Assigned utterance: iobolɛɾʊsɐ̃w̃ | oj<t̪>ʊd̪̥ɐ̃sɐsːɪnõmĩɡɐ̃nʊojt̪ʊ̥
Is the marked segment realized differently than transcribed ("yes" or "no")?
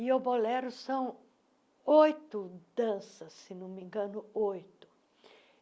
no